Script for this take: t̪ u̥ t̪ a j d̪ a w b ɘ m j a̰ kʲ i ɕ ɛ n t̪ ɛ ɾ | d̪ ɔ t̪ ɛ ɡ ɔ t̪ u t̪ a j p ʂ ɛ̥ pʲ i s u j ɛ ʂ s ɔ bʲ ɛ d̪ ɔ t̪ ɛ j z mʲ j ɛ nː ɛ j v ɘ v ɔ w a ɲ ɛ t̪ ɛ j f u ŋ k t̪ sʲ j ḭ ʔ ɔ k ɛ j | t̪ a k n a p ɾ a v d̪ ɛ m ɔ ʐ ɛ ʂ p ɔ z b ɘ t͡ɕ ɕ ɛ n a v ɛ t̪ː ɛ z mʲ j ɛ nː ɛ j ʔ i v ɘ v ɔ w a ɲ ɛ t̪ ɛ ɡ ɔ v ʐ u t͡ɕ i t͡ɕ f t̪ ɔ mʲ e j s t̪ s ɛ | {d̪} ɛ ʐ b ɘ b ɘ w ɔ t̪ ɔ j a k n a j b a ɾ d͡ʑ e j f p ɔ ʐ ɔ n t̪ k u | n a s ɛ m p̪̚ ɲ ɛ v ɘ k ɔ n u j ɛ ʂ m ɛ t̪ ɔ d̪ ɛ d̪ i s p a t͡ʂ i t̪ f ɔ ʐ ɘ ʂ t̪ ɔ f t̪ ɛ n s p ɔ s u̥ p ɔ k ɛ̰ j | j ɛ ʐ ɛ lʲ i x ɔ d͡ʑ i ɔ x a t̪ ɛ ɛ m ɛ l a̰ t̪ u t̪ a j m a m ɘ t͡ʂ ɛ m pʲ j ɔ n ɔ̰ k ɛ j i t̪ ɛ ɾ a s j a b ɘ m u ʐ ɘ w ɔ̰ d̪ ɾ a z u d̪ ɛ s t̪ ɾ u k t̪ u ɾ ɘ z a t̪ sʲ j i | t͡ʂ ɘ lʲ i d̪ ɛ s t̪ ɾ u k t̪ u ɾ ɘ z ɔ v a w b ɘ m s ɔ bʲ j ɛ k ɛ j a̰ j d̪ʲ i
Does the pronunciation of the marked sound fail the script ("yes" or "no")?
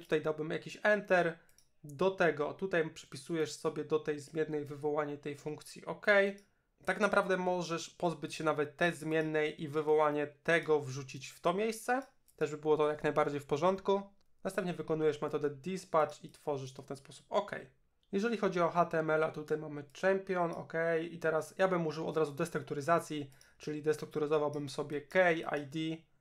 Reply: yes